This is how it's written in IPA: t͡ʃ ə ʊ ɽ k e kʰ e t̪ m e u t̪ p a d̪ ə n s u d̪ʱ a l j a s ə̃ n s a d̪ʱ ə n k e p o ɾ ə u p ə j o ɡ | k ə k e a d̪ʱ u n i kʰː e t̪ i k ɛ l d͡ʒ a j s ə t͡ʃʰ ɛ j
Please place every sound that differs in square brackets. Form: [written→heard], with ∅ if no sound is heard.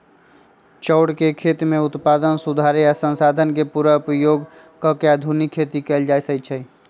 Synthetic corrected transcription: t͡ʃ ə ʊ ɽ k e kʰ e t̪ m e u t̪ p a d̪ ə n s u d̪ʱ a [l→ɾ] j a s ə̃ n s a d̪ʱ ə n k e p [o→u] ɾ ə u p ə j o ɡ | k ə k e a d̪ʱ u n i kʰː e t̪ i k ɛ l d͡ʒ a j s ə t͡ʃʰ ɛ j